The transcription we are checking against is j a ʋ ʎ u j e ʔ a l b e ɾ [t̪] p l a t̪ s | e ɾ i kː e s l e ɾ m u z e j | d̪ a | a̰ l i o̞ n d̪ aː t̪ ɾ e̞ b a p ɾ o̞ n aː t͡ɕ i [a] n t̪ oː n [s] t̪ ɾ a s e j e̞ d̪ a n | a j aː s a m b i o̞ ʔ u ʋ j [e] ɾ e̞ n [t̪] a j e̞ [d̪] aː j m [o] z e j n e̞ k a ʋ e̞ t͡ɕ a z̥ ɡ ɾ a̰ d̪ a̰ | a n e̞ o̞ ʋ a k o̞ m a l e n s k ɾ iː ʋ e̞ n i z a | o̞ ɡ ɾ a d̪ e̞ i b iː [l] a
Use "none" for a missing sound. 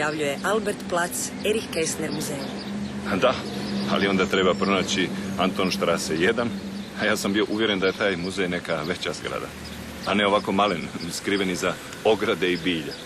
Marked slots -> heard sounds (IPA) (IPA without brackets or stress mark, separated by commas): t̪, a, ʃ, e, d̪, t̪, u, ʎ